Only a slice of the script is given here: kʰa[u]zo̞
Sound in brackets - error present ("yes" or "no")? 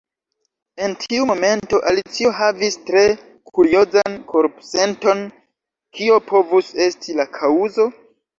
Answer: no